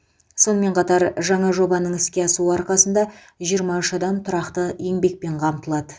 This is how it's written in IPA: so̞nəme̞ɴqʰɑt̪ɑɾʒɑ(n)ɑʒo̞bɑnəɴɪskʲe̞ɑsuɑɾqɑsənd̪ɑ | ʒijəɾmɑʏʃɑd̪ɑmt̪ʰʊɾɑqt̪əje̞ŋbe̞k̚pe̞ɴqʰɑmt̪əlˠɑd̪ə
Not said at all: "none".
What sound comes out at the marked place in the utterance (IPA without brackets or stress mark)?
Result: ɴ